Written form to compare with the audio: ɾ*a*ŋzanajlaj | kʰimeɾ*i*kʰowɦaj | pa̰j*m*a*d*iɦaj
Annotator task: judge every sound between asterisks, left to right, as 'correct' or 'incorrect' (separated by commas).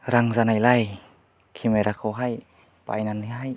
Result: correct, incorrect, incorrect, incorrect